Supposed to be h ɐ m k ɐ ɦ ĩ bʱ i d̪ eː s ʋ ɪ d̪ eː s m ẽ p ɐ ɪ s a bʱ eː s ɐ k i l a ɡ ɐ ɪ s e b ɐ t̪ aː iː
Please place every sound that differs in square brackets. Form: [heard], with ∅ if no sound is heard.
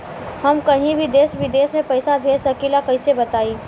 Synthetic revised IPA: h ɐ m k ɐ ɦ ĩ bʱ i d̪ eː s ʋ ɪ d̪ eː s m ẽ p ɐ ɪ s a bʱ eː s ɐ k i l a [k] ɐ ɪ s e b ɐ t̪ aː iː